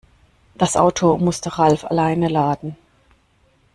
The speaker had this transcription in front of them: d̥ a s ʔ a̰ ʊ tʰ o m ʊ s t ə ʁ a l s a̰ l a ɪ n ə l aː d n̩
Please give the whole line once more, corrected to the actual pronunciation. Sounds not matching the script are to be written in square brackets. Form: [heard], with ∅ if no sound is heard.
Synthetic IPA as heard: d̥ a s ʔ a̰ ʊ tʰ o m ʊ s t ə ʁ a l [f] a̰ l a ɪ n ə l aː d n̩